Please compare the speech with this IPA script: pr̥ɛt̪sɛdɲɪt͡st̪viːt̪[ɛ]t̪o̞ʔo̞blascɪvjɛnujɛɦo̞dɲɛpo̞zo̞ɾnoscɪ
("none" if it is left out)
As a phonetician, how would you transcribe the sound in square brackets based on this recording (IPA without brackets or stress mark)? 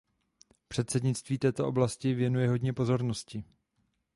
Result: ɛː